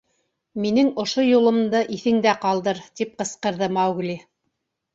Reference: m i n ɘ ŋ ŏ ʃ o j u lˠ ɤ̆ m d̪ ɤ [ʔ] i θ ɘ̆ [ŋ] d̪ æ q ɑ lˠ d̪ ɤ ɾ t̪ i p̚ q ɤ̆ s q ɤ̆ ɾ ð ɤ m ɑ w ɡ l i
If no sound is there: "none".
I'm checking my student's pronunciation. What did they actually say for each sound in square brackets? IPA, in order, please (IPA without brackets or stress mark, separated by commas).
ʔ, ŋ